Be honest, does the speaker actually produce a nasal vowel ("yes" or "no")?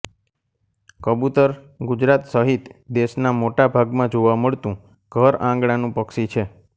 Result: yes